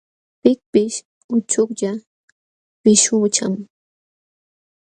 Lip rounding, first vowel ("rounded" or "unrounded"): unrounded